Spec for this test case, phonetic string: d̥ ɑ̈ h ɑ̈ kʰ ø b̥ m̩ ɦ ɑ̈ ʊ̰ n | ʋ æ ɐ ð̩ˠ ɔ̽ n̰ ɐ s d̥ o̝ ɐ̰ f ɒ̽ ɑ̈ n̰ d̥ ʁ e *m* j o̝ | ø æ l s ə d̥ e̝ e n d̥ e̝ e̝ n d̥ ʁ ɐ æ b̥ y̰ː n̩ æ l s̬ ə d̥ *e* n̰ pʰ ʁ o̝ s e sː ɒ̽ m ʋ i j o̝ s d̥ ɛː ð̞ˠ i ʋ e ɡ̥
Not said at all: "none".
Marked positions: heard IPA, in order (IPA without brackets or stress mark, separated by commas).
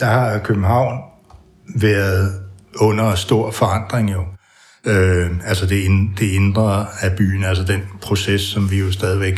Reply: ŋ, e